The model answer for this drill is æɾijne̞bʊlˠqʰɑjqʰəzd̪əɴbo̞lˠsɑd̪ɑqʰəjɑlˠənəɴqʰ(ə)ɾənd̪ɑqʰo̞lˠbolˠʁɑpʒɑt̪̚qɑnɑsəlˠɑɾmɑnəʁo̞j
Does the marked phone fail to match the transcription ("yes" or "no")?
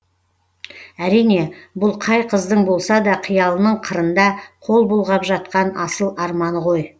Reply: no